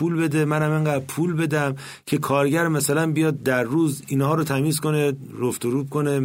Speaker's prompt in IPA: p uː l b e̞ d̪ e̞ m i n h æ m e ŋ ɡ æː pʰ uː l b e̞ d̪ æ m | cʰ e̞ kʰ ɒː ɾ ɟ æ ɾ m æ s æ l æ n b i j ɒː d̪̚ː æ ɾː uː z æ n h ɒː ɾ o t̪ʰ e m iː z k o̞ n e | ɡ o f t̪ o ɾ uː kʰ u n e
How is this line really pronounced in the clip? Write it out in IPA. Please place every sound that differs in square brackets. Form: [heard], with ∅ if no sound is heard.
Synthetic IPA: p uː l b e̞ d̪ e̞ m [æ] n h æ m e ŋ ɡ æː pʰ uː l b e̞ d̪ æ m | cʰ e̞ kʰ ɒː ɾ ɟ æ ɾ m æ s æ l æ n b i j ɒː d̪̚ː æ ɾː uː z [i] n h ɒː ɾ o t̪ʰ [æ] m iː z k o̞ n e | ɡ o f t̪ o ɾ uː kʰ [o] n e